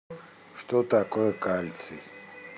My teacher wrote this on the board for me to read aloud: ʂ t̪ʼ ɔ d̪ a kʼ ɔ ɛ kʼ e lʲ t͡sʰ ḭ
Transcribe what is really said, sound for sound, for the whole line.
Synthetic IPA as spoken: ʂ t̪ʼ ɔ t̪ a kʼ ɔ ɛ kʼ a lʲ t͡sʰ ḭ